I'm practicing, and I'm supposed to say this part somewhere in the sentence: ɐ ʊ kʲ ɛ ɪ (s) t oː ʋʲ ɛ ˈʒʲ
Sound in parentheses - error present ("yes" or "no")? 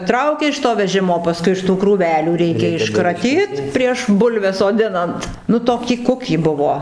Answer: yes